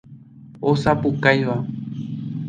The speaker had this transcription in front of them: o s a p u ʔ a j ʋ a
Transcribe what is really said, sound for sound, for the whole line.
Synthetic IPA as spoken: o s a p u k a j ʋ a